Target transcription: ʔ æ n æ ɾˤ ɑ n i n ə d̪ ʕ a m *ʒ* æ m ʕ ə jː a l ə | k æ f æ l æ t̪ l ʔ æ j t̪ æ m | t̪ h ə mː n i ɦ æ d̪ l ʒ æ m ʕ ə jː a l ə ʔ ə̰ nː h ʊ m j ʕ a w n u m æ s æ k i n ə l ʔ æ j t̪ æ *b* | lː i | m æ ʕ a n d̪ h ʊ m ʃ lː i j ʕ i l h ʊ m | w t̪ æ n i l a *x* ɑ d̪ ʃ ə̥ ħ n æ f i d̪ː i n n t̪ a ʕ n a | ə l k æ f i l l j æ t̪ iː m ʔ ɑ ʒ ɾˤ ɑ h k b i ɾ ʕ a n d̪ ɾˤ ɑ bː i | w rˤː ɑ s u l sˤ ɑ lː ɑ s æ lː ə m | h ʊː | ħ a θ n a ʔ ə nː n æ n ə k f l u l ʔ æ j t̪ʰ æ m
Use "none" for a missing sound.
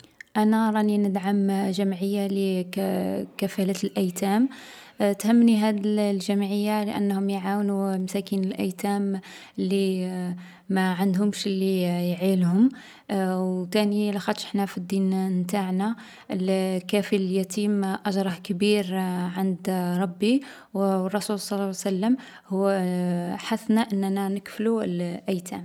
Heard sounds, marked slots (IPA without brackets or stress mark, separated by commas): ʒ, m, x